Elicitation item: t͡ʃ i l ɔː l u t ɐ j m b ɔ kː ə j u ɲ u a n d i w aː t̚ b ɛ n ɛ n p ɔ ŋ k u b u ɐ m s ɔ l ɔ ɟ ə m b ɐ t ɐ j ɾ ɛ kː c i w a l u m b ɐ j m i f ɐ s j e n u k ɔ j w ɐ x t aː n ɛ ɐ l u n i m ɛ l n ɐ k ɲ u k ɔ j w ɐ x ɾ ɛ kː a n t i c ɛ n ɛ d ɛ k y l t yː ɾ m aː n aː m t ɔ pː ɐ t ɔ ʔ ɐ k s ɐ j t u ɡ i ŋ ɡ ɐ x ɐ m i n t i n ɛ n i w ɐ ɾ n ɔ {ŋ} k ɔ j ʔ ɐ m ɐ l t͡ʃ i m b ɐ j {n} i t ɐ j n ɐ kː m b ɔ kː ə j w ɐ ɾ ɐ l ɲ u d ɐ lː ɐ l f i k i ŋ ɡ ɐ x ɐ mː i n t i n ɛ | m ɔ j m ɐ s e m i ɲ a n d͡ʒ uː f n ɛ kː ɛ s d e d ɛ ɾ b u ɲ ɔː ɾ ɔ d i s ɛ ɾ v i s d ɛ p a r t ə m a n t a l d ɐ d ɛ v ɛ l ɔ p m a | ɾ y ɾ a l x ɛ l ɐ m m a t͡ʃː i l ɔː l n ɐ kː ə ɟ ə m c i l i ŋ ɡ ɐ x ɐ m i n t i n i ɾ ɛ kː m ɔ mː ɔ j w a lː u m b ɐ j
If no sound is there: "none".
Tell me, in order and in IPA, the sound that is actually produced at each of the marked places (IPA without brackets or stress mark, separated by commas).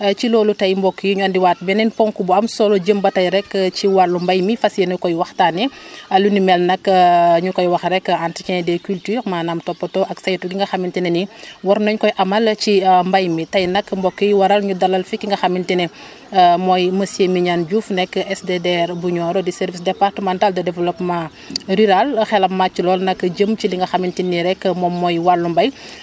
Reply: ɲ, m